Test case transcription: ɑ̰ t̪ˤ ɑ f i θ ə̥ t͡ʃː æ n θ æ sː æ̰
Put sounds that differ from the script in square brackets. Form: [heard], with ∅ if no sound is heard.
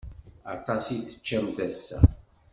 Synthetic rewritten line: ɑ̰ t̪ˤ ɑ [s] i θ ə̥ t͡ʃː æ [m] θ æ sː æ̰